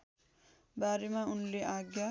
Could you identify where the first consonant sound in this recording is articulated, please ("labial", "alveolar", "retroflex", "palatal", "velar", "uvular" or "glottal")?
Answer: labial